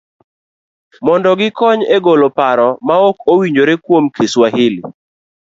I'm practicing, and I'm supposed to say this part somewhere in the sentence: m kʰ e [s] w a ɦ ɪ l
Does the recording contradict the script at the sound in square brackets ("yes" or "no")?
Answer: no